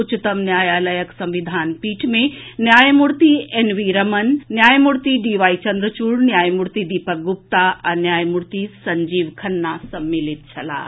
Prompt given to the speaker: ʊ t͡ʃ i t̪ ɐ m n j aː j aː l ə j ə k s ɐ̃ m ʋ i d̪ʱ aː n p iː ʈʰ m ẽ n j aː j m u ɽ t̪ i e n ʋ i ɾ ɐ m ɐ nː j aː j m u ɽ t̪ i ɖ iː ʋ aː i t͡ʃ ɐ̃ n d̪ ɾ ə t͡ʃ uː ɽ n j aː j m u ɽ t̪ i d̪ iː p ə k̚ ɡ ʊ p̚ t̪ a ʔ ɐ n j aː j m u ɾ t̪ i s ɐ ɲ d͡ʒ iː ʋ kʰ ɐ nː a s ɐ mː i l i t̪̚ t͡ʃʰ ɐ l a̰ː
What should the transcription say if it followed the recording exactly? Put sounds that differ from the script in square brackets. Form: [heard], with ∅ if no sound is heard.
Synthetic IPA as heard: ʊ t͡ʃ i t̪ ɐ m n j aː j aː l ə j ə k s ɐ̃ m ʋ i d̪ʱ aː n p iː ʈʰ m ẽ n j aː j m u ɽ t̪ i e n ʋ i ɾ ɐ m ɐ nː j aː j m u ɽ t̪ i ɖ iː ʋ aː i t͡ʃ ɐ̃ n d̪ ɾ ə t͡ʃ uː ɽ n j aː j m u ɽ t̪ i d̪ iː p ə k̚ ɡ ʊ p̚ t̪ a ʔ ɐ n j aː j m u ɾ t̪ i s ɐ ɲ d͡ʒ iː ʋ kʰ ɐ nː a s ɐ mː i l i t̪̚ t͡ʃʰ ɐ l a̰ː